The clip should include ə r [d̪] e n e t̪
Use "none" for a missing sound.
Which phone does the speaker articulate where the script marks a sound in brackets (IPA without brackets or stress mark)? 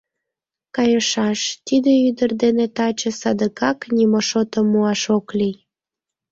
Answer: d̪